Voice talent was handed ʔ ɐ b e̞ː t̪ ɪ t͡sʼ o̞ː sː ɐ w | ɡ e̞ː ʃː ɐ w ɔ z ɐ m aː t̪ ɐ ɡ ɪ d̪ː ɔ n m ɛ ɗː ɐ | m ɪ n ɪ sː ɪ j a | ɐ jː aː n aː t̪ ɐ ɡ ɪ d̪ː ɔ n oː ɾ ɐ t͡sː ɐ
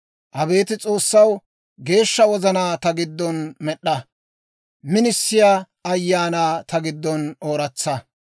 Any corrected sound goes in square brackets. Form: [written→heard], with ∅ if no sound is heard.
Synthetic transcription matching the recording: ʔ ɐ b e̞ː t̪ ɪ t͡sʼ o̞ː sː ɐ w | ɡ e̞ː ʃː ɐ w ɔ z ɐ [m→n] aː t̪ ɐ ɡ ɪ d̪ː ɔ n m ɛ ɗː ɐ | m ɪ n ɪ sː ɪ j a | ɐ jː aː n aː t̪ ɐ ɡ ɪ d̪ː ɔ n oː ɾ ɐ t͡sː ɐ

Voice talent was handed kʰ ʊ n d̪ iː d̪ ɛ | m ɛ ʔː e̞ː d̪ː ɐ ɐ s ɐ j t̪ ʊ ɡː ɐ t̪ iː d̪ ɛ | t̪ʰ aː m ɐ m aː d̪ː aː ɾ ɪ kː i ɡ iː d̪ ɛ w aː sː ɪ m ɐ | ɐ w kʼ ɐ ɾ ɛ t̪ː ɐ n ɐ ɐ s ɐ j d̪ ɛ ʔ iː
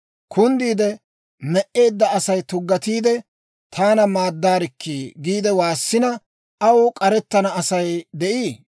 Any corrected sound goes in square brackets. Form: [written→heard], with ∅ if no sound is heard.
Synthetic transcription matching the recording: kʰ ʊ n d̪ iː d̪ ɛ | m ɛ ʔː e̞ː d̪ː ɐ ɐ s ɐ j t̪ ʊ ɡː ɐ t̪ iː d̪ ɛ | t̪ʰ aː [m→n] ɐ m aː d̪ː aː ɾ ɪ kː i ɡ iː d̪ ɛ w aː sː ɪ [m→n] ɐ | ɐ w kʼ ɐ ɾ ɛ t̪ː ɐ n ɐ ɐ s ɐ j d̪ ɛ ʔ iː

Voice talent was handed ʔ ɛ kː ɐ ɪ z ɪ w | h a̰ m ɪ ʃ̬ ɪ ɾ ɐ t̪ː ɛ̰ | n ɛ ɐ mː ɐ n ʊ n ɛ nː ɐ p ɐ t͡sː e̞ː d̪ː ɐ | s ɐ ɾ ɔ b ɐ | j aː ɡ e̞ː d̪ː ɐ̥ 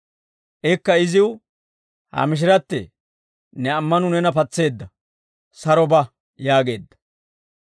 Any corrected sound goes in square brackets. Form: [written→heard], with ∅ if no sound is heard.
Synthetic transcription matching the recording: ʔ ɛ kː ɐ ɪ z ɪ w | h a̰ m ɪ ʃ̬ ɪ ɾ ɐ t̪ː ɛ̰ | n ɛ ɐ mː ɐ n ʊ n ɛ [nː→n] ɐ p ɐ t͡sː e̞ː d̪ː ɐ | s ɐ ɾ ɔ b ɐ | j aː ɡ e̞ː d̪ː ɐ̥

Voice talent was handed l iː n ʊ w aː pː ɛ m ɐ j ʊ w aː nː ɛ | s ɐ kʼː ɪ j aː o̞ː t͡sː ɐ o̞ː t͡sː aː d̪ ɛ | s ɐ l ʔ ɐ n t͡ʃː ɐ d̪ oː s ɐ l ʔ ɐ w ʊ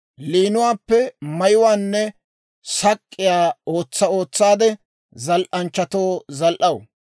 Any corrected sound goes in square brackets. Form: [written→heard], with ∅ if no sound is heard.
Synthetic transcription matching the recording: l iː n ʊ w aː pː ɛ m ɐ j ʊ w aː nː ɛ | s ɐ kʼː ɪ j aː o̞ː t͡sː ɐ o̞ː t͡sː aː d̪ ɛ | [s→z] ɐ l ʔ ɐ n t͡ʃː ɐ [d̪→t̪] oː [s→z] ɐ l ʔ ɐ w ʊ

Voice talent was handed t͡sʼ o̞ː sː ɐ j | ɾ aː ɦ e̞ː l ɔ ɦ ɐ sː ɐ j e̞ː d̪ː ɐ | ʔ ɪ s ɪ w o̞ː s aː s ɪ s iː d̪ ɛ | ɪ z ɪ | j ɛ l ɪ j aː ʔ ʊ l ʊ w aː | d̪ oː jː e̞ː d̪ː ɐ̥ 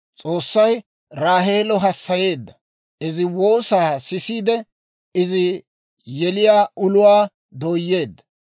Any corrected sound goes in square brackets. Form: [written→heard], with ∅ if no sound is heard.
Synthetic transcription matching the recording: t͡sʼ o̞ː sː ɐ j | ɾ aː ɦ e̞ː l ɔ ɦ ɐ sː ɐ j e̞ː d̪ː ɐ | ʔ ɪ [s→z] ɪ w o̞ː s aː s ɪ s iː d̪ ɛ | ɪ z ɪ | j ɛ l ɪ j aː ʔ ʊ l ʊ w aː | d̪ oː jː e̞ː d̪ː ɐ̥

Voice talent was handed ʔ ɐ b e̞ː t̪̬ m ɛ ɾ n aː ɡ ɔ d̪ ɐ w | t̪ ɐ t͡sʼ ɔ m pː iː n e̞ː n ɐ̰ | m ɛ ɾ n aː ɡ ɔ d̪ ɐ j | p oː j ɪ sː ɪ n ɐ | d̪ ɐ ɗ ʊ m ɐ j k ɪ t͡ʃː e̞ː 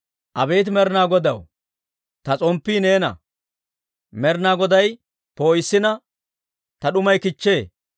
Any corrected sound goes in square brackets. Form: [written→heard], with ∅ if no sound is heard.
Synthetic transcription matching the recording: ʔ ɐ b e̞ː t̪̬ m ɛ ɾ n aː ɡ ɔ d̪ ɐ w | t̪ ɐ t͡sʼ ɔ m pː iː n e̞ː n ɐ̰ | m ɛ ɾ n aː ɡ ɔ d̪ ɐ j | p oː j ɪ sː ɪ n ɐ | [d̪→t̪] ɐ ɗ ʊ m ɐ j k ɪ t͡ʃː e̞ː

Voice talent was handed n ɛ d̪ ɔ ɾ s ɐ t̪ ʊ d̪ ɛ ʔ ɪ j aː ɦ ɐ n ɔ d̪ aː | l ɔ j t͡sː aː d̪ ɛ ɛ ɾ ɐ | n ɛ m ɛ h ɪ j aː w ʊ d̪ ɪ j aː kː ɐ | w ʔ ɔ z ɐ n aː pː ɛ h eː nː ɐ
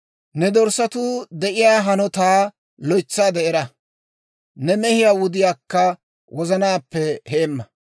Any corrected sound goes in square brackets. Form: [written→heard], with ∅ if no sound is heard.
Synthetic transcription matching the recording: n ɛ d̪ ɔ ɾ s ɐ t̪ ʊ d̪ ɛ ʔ ɪ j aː ɦ ɐ n ɔ [d̪→t̪] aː | l ɔ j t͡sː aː d̪ ɛ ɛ ɾ ɐ | n ɛ m ɛ h ɪ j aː w ʊ d̪ ɪ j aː kː ɐ | w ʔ ɔ z ɐ n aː pː ɛ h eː [nː→mː] ɐ

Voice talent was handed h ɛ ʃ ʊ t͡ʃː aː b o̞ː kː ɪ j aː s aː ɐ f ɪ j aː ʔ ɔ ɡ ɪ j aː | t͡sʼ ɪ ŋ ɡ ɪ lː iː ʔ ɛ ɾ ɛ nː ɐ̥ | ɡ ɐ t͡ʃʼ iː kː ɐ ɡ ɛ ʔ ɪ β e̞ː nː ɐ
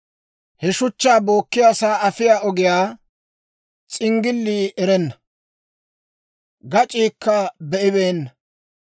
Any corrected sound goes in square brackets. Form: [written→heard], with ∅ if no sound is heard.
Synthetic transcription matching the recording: h ɛ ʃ ʊ t͡ʃː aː b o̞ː kː ɪ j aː s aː ɐ f ɪ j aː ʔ ɔ ɡ ɪ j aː | t͡sʼ ɪ ŋ ɡ ɪ lː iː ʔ ɛ ɾ ɛ nː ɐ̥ | ɡ ɐ t͡ʃʼ iː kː ɐ [ɡ→b] ɛ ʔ ɪ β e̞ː nː ɐ

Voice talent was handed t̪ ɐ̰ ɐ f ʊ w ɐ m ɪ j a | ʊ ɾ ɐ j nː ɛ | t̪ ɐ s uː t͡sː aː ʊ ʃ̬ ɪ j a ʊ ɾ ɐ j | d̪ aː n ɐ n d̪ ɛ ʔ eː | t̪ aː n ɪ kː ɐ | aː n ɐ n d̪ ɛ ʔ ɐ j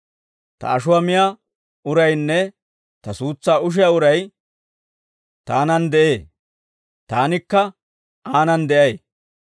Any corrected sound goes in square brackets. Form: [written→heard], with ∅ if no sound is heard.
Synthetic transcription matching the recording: t̪ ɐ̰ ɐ [f→ʃ] ʊ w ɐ m ɪ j a | ʊ ɾ ɐ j nː ɛ | t̪ ɐ s uː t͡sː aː ʊ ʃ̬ ɪ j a ʊ ɾ ɐ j | [d̪→t̪] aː n ɐ n d̪ ɛ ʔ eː | t̪ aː n ɪ kː ɐ | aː n ɐ n d̪ ɛ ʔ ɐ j

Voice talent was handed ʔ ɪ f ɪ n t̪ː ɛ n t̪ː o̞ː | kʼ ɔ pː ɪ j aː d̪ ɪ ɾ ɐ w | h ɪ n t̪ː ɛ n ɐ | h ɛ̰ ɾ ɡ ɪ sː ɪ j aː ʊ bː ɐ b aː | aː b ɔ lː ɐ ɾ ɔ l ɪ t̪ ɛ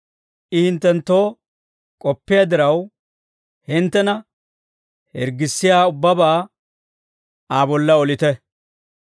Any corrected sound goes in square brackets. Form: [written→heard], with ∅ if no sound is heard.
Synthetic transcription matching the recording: ʔ ɪ [f→h] ɪ n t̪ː ɛ n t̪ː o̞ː | kʼ ɔ pː ɪ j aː d̪ ɪ ɾ ɐ w | h ɪ n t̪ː ɛ n ɐ | h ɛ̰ ɾ ɡ ɪ sː ɪ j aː ʊ bː ɐ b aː | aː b ɔ lː ɐ [ɾ→∅] ɔ l ɪ t̪ ɛ

